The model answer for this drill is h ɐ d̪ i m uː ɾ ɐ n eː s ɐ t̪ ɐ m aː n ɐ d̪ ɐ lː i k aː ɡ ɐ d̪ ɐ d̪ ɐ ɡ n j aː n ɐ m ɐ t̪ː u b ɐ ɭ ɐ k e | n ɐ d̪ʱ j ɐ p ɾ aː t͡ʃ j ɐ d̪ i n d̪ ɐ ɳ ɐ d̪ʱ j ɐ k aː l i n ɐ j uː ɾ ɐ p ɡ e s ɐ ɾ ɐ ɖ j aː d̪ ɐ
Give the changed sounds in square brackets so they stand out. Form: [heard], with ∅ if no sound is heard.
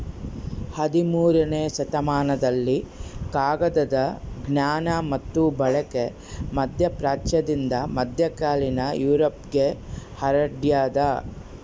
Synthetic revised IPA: h ɐ d̪ i m uː ɾ ɐ n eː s ɐ t̪ ɐ m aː n ɐ d̪ ɐ lː i k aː ɡ ɐ d̪ ɐ d̪ ɐ ɡ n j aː n ɐ m ɐ t̪ː u b ɐ ɭ ɐ k e | [m] ɐ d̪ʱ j ɐ p ɾ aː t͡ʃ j ɐ d̪ i n d̪ ɐ [m] ɐ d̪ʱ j ɐ k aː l i n ɐ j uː ɾ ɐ p ɡ e [h] ɐ ɾ ɐ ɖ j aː d̪ ɐ